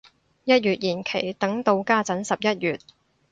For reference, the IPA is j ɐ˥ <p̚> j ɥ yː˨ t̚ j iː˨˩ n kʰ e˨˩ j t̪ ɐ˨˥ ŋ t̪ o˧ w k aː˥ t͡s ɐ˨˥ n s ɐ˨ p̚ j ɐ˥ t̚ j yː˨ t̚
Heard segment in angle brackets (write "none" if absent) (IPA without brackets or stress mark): t̚